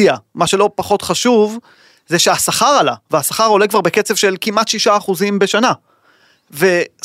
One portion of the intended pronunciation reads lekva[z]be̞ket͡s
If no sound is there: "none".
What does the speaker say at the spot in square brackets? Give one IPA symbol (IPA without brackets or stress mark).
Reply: ʁ